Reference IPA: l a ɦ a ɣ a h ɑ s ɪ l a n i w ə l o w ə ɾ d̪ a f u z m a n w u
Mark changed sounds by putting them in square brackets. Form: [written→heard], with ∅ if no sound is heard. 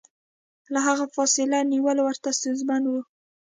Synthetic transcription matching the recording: l a ɦ a ɣ a [h→f] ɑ s ɪ l a n i w ə l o w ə ɾ [d̪→t̪] a [f→s] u z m a n w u